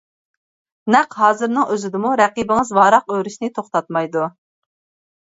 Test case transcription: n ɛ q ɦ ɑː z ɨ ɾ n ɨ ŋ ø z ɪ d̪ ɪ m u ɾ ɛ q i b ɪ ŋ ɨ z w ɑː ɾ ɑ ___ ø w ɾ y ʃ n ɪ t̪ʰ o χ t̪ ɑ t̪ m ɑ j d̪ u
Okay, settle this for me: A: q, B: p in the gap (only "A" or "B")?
A